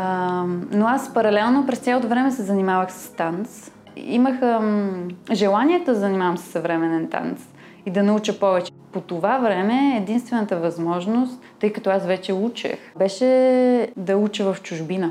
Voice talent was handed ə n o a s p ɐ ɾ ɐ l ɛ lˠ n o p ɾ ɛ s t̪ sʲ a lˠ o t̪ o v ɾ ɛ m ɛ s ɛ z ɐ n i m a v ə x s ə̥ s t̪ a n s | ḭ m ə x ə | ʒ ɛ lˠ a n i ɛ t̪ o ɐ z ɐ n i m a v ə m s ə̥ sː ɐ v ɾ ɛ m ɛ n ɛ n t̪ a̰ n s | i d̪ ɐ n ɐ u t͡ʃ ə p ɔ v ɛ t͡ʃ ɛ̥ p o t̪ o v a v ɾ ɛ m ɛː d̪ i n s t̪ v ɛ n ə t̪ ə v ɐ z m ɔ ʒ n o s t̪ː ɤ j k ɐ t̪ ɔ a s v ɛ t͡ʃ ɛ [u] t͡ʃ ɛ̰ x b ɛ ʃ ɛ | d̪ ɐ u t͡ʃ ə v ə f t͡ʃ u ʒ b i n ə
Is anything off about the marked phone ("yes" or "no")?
no